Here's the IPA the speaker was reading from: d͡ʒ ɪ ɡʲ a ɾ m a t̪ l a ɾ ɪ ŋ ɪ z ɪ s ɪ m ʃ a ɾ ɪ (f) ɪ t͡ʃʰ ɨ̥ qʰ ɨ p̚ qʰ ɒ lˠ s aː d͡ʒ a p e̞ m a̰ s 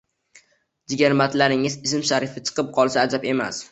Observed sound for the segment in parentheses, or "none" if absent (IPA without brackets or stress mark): f